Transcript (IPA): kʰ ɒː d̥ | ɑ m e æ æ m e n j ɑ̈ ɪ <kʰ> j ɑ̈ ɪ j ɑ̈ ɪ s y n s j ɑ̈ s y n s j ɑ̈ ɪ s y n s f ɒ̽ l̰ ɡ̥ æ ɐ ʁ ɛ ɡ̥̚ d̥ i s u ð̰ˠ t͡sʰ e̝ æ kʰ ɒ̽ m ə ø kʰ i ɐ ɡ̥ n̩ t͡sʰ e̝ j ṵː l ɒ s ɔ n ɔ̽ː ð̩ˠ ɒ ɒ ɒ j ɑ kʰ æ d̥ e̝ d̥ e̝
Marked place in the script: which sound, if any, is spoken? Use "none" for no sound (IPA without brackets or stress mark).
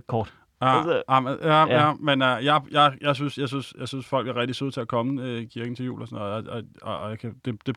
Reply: none